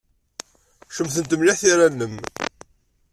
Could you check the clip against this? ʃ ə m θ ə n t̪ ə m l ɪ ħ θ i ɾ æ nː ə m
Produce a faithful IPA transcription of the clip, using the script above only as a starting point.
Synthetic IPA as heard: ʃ ə m θ ə n t̪ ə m l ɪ ħ θ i ɾ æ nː ə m